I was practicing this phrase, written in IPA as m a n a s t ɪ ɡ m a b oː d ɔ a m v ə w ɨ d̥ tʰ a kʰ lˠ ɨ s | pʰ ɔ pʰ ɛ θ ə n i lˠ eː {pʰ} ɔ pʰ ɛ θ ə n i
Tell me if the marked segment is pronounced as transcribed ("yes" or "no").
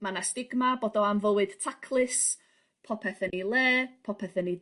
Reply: yes